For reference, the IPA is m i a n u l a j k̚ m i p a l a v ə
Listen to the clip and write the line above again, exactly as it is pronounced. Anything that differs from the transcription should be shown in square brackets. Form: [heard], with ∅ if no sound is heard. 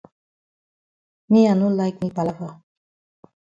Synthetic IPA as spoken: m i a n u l a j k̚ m i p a l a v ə